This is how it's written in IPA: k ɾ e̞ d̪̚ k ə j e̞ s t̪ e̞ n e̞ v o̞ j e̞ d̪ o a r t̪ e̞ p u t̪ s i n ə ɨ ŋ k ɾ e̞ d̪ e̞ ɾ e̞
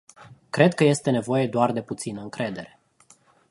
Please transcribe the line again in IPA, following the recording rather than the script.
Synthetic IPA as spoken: k ɾ e̞ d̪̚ k ə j e̞ s t̪ e̞ n e̞ v o̞ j e̞ d̪ o a r d̪ e̞ p u t̪ s i n ə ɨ ŋ k ɾ e̞ d̪ e̞ ɾ e̞